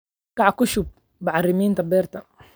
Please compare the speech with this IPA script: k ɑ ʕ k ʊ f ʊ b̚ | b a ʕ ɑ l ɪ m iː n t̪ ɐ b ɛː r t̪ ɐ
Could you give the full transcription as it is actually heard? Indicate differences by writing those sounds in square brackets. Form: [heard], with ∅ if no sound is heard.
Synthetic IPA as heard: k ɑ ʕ k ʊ [ʃ] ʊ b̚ | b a ʕ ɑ [r] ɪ m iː n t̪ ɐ b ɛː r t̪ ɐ

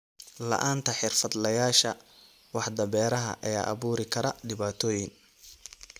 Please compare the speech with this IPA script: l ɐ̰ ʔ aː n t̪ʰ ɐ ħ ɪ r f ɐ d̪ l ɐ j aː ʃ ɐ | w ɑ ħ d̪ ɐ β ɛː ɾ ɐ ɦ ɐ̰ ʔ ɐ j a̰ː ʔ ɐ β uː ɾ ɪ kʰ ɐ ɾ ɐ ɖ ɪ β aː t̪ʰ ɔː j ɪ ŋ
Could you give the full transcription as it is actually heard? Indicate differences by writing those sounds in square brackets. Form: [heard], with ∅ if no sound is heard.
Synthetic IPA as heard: l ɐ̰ ʔ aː n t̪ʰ ɐ ħ ɪ r f ɐ d̪ l ɐ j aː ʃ ɐ | w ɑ ħ d̪ ɐ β ɛː ɾ ɐ ɦ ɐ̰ ʔ ɐ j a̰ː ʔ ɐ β uː ɾ ɪ kʰ ɐ ɾ ɐ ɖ ɪ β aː t̪ʰ ɔː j ɪ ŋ

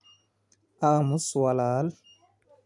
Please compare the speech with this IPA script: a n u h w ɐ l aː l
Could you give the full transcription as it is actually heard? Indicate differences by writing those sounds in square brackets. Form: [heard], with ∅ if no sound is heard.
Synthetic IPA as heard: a [m] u [s] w [a] l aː l

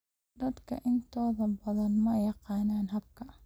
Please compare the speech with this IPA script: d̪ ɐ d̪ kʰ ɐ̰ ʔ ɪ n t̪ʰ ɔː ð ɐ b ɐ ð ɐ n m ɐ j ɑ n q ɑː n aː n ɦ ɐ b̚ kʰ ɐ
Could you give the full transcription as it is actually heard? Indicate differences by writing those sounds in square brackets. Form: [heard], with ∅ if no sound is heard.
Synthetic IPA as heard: d̪ ɐ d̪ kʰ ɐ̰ ʔ ɪ n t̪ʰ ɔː ð ɐ b ɐ ð ɐ n m ɐ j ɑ [∅] q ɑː n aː n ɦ ɐ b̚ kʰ ɐ

